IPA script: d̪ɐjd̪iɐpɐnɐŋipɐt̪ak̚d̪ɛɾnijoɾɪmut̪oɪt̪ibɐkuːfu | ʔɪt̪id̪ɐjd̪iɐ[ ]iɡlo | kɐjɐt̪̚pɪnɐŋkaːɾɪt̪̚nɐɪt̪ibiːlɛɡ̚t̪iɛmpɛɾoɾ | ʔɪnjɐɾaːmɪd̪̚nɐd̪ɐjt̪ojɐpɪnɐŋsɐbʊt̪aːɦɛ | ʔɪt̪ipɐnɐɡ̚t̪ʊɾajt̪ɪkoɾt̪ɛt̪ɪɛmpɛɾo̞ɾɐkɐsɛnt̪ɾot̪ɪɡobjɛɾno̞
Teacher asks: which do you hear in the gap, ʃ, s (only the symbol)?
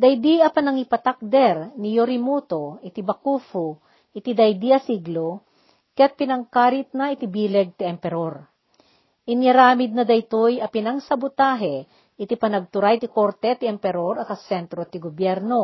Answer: s